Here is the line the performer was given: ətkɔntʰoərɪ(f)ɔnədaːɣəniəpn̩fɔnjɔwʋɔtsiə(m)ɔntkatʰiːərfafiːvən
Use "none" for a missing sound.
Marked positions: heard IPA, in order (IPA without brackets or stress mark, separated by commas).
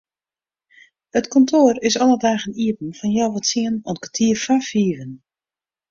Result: s, n